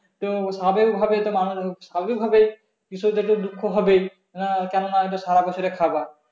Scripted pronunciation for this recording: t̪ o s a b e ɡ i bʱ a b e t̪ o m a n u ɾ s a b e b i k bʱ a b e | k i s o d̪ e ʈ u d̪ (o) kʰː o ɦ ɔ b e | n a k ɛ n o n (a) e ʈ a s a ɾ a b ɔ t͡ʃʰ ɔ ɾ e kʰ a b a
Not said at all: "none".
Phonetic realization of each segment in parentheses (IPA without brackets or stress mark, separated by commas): u, a